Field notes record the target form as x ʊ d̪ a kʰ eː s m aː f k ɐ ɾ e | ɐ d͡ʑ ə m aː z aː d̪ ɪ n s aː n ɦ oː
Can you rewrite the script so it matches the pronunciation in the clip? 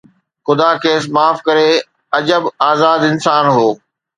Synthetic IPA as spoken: x ʊ d̪ a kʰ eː s m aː f k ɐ ɾ e | ɐ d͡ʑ ə b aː z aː d̪ ɪ n s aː n ɦ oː